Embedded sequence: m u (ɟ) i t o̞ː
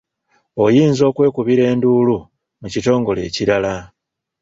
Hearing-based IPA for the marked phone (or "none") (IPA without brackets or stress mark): c